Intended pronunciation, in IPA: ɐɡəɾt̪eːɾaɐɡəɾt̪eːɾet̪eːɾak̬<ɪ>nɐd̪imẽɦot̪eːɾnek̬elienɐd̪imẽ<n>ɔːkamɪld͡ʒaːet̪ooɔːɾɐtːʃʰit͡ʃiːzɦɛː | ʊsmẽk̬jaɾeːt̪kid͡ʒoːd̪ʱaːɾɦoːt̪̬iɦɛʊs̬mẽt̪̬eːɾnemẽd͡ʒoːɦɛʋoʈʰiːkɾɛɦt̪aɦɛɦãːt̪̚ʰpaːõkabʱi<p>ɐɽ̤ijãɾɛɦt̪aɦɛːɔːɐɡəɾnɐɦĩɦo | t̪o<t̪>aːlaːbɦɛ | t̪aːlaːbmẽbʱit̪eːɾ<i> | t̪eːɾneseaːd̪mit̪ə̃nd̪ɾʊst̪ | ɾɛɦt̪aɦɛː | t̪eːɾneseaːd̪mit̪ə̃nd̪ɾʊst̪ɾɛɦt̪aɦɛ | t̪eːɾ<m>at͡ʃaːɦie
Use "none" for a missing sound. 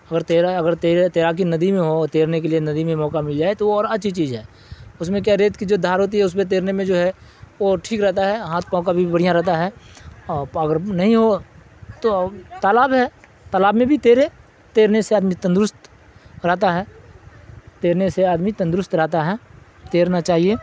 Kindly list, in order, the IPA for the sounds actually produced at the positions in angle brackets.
i, m, b, t̪, e, n

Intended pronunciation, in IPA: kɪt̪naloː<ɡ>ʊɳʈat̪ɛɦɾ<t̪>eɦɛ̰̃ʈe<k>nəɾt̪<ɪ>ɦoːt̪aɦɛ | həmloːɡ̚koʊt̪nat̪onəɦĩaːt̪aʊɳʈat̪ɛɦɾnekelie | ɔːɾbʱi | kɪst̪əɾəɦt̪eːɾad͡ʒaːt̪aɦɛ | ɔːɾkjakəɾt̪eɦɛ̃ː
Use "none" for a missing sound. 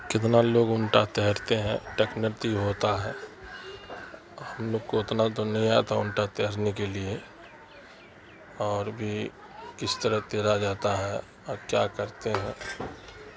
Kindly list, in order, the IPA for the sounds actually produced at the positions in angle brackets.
ɡ, t̪, k, i

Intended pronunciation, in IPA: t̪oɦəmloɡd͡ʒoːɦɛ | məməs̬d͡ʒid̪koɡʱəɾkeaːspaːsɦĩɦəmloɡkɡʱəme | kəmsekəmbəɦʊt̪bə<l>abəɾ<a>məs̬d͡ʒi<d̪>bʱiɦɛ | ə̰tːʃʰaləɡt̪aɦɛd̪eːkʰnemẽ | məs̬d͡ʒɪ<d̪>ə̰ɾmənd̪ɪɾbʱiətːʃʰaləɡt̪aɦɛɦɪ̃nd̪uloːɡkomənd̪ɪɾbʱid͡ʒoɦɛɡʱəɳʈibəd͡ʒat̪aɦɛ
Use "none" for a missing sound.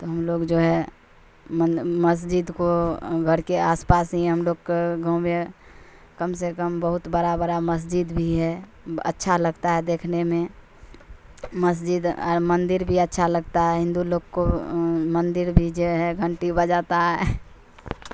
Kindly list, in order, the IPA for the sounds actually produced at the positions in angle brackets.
ɾ, a, d̪, d̪

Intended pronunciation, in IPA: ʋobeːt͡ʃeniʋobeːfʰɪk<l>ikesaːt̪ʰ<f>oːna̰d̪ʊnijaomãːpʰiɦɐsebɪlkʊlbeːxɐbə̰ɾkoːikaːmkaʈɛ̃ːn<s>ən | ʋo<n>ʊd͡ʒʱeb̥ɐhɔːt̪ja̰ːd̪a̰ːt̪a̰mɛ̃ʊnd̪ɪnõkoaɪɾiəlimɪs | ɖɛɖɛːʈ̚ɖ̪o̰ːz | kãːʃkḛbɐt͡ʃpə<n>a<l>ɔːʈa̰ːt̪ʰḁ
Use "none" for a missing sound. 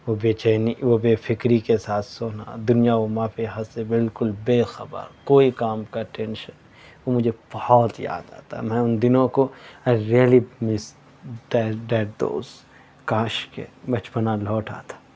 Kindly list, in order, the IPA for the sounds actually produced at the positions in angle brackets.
ɾ, s, ʃ, m, n, l

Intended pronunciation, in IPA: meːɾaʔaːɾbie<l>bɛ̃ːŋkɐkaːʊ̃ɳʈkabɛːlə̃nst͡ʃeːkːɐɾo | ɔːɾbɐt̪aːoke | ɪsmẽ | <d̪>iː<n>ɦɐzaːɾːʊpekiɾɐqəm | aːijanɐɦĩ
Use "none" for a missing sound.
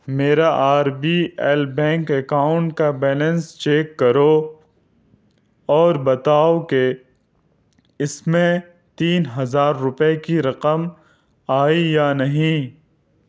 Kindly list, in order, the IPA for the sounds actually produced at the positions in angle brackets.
l, t̪, n

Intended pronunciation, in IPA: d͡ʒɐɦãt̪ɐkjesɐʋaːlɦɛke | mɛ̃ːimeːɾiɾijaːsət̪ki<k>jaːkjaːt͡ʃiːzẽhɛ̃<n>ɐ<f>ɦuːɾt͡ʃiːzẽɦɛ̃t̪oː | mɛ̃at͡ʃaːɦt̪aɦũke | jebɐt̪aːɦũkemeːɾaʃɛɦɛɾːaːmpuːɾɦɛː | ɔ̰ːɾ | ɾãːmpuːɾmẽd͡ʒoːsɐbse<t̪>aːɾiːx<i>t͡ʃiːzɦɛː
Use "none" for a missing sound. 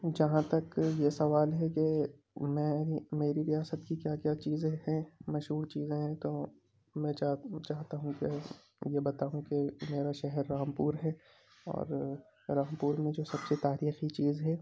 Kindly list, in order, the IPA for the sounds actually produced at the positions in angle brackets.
k, m, ʃ, t̪, i

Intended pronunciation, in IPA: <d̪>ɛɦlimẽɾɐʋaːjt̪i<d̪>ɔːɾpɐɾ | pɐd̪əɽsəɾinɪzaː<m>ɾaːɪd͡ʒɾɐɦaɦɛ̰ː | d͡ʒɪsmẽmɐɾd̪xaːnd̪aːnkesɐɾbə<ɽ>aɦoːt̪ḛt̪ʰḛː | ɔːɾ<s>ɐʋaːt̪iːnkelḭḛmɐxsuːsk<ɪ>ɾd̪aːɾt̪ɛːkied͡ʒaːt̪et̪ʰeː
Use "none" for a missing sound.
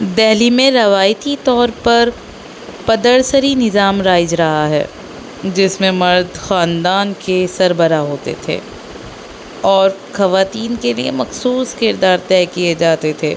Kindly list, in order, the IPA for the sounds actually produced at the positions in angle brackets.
d̪, t̪, m, ɾ, x, ɪ

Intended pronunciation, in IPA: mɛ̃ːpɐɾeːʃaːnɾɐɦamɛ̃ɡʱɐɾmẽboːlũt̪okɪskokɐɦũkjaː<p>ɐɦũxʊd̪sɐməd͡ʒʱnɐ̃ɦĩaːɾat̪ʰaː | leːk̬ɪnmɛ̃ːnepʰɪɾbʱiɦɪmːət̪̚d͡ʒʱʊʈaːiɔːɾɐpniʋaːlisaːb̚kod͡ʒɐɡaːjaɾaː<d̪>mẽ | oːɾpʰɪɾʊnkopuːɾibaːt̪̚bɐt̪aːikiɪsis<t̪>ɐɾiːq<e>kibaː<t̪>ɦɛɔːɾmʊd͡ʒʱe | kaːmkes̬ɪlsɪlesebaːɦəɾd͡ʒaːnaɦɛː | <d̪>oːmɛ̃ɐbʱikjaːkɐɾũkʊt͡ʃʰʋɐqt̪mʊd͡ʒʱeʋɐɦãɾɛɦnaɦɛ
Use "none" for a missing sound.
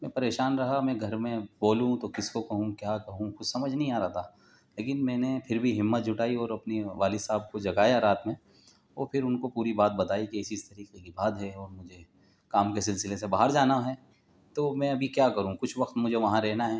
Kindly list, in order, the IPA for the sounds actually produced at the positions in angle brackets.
k, t̪, t̪, e, d̪, t̪

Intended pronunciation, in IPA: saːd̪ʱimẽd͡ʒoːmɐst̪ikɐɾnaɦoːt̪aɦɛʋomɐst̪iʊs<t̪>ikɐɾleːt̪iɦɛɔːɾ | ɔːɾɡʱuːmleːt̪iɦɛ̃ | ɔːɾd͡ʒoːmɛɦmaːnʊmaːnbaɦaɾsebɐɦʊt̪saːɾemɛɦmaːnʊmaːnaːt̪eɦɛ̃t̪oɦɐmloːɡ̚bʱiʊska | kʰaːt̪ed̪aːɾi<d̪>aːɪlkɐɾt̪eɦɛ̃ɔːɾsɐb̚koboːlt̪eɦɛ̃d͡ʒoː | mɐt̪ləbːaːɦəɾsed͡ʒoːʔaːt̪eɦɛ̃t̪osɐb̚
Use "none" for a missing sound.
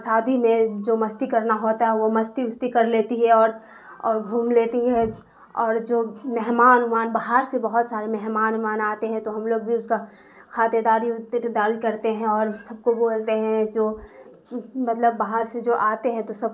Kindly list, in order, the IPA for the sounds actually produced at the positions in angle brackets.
t̪, d̪

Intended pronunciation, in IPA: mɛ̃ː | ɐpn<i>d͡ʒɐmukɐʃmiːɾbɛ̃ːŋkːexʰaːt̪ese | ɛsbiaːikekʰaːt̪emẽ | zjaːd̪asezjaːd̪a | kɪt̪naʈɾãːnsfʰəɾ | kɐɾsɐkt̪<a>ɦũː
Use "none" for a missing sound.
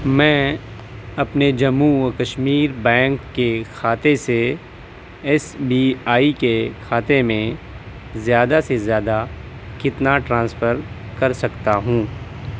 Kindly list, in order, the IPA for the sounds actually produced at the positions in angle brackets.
e, a

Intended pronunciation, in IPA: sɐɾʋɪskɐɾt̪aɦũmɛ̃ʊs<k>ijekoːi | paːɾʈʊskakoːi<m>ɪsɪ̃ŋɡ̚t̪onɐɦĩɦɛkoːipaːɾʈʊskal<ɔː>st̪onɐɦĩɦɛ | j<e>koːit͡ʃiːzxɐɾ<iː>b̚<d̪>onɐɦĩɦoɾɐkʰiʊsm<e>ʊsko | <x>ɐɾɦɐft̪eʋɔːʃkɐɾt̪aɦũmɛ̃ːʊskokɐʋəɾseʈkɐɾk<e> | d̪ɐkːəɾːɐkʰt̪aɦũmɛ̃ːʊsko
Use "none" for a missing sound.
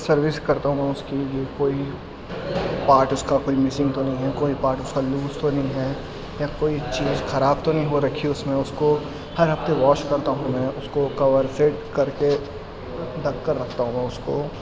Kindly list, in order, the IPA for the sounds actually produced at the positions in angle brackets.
k, m, uː, a, aː, t̪, ẽ, h, e

